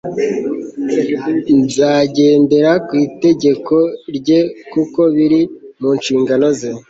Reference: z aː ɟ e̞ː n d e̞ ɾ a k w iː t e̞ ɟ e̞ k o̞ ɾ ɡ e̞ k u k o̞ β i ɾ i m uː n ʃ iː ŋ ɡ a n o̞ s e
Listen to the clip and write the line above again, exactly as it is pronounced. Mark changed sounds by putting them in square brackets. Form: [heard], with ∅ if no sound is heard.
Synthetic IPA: z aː ɟ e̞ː n d e̞ ɾ a k w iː t e̞ ɟ e̞ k o̞ ɾ [ɟ] e̞ k u k o̞ β i ɾ i m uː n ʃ iː ŋ ɡ a n o̞ [z] e